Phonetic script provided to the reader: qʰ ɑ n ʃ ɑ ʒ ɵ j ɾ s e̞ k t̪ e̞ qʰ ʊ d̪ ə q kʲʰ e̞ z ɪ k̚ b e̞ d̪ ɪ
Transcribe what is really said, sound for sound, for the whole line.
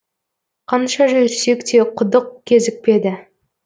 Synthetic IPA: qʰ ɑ n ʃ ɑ ʒ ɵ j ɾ s e̞ k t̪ e̞ qʰ ʊ d̪ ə q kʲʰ e̞ z ɪ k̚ p e̞ d̪ ɪ

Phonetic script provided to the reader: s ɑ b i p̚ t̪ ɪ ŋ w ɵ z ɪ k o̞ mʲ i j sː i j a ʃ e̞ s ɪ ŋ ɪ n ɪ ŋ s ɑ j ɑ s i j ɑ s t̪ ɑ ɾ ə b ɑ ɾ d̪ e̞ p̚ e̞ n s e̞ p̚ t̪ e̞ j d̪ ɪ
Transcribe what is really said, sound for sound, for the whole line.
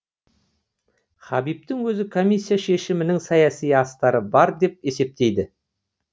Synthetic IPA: χ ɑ b i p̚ t̪ ɪ ŋ w ɵ z ɪ kʰ o̞ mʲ i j sː i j a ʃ e̞ ʃ ɪ m ɪ n ɪ ŋ s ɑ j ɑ s i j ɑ s t̪ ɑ ɾ ə b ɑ ɾ d̪ e̞ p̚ e̞ s e̞ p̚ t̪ e̞ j d̪ ɪ

